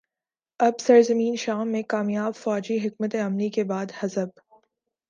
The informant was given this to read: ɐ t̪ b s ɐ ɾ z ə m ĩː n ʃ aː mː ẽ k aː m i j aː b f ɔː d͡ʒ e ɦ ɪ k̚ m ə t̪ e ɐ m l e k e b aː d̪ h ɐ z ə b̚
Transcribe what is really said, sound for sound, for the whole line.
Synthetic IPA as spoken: ɐ b s ɐ ɾ z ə m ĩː n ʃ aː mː ẽ k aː m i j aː b f ɔː d͡ʒ i ɦ ɪ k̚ m ə t̪ e ɐ m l i k e b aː d̪ h ɐ z ə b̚